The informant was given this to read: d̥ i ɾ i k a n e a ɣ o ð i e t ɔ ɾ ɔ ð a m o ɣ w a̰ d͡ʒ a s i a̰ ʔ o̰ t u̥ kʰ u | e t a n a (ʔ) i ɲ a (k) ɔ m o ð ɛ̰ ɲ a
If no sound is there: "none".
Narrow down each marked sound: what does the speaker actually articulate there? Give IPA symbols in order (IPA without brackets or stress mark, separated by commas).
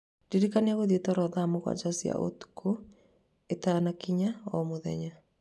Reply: k, none